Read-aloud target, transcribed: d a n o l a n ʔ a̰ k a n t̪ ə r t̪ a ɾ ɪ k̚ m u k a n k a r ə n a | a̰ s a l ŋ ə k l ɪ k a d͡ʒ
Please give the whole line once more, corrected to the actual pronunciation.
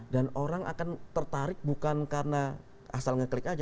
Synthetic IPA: d a n o ɾ a ŋ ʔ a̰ k a n t̪ ə r t̪ a ɾ ɪ k̚ b u k a n k a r ə n a | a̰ s a l ŋ ə k l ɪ k a d͡ʒ